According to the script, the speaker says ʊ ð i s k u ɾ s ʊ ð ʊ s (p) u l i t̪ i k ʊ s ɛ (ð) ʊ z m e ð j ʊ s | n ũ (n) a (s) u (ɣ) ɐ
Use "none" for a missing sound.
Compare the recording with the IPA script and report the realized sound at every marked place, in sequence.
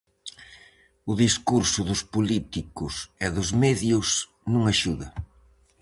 p, ð, ŋ, ʃ, ð

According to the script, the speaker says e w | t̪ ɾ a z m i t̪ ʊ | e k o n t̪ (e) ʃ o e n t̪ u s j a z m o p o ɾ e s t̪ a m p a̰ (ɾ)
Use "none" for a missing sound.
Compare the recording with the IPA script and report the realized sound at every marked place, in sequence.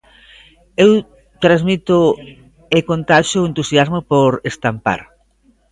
a, ɾ

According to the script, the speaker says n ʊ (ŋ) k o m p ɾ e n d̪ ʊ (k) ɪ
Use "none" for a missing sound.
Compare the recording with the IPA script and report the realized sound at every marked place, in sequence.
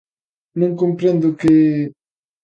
ŋ, k

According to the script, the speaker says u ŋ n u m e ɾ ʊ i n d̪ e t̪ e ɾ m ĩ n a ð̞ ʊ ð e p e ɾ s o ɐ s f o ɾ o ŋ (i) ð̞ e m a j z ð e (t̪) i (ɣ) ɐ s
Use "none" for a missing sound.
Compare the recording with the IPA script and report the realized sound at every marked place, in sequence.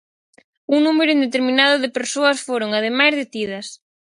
a, t̪, ð

